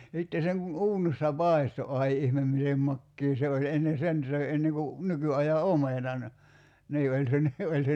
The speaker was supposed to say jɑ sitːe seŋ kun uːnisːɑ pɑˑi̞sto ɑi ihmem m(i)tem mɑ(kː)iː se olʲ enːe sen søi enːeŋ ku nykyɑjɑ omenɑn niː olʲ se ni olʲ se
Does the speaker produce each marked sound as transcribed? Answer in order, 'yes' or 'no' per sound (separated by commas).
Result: yes, yes